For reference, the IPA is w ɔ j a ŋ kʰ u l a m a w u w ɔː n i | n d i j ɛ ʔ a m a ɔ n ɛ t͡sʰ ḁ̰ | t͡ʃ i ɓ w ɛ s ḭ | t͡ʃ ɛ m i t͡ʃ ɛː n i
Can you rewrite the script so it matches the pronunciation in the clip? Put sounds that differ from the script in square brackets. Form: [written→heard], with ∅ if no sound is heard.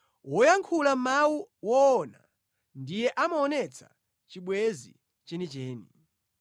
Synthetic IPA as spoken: w ɔ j a ŋ kʰ u l a m a w u w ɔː n [i→a] | n d i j ɛ ʔ a m a ɔ n ɛ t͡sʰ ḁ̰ | t͡ʃ i ɓ w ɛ [s→z] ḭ | t͡ʃ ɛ [m→n] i t͡ʃ ɛː n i